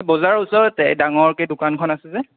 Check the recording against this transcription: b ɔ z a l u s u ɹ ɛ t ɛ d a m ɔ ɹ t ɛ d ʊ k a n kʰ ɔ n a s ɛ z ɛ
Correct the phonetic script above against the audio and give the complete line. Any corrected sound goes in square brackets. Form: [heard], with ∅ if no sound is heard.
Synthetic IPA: b ɔ z a [ɹ] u s [ɔ] ɹ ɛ t ɛ d a [ŋ] ɔ ɹ [k] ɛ d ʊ k a n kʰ ɔ n a s ɛ z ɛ